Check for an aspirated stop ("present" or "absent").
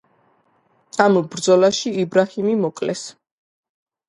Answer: absent